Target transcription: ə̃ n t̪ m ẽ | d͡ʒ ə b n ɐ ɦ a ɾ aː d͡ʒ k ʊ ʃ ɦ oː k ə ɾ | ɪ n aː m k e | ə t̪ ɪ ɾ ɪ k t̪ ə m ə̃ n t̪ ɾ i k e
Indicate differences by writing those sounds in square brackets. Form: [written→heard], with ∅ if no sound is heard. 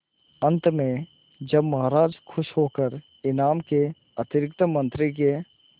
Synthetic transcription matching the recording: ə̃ n t̪ m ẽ | d͡ʒ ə b [n→m] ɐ ɦ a ɾ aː d͡ʒ [k→kʰ] ʊ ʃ ɦ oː k ə ɾ | ɪ n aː m k e | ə t̪ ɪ ɾ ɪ k t̪ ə m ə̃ n t̪ ɾ i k e